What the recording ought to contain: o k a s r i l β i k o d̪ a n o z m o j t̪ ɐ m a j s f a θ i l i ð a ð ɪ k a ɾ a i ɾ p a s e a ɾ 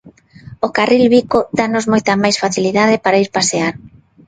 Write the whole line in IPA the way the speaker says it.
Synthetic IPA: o k a r i l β i k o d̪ a n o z m o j t̪ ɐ m a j s f a θ i l i ð a ð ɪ p a ɾ a i ɾ p a s e a ɾ

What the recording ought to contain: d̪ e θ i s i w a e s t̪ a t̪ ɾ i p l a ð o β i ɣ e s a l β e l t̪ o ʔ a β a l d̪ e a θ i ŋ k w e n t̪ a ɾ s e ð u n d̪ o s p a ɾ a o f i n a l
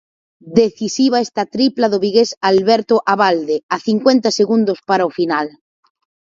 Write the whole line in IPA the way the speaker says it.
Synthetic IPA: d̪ e θ i s i β a e s t̪ a t̪ ɾ i p l a ð o β i ɣ e s a l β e ɾ t̪ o ʔ a β a l d̪ e a θ i ŋ k w e n t̪ a s e ɣ u n d̪ o s p a ɾ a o f i n a l

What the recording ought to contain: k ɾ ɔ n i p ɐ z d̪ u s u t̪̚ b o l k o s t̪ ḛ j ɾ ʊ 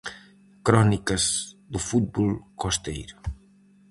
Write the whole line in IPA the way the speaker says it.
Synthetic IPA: k ɾ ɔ n i k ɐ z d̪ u f u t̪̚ b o l k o s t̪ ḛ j ɾ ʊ

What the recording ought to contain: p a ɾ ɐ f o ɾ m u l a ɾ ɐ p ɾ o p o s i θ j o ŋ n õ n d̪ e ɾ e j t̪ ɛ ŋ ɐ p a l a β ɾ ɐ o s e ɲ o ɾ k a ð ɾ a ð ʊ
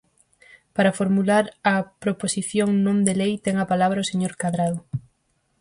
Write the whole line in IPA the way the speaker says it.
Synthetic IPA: p a ɾ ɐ f o ɾ m u l a ɾ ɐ p ɾ o p o s i θ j o ŋ n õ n d̪ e l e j t̪ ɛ ŋ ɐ p a l a β ɾ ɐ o s e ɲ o ɾ k a ð ɾ a ð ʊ

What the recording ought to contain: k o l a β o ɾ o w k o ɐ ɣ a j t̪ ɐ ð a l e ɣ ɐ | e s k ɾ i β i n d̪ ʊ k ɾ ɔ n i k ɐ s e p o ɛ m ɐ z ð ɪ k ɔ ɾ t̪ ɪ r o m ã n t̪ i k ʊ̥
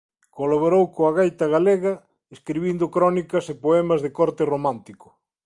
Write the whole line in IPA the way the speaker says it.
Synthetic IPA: k o l a β o ɾ o w k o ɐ ɣ a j t̪ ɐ ɣ a l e ɣ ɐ | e s k ɾ i β i n d̪ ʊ k ɾ ɔ n i k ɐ s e p o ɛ m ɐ z ð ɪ k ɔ ɾ t̪ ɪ r o m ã n t̪ i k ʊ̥

